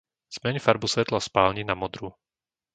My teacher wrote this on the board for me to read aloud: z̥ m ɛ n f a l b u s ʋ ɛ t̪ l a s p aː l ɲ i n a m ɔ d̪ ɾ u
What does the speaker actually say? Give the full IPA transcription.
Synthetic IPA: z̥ m ɛ ɲ f a ɾ b u s ʋ ɛ t̪ l a s p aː l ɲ i n a m ɔ d̪ ɾ u